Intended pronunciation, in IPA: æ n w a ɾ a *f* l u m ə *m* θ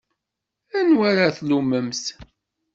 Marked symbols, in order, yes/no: no, yes

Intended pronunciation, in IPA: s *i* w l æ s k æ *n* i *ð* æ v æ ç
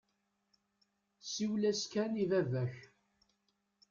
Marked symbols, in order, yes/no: yes, yes, no

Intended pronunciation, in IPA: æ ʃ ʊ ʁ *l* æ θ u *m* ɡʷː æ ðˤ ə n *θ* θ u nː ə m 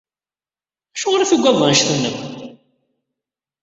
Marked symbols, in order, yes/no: no, no, no

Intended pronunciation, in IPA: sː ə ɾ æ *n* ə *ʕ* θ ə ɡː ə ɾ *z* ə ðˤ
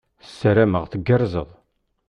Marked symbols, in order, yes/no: no, no, yes

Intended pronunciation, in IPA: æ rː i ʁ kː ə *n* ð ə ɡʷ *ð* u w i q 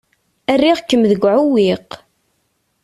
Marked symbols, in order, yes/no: no, no

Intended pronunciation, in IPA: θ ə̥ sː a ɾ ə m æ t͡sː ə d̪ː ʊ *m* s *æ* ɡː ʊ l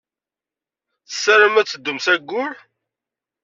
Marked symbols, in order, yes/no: yes, yes

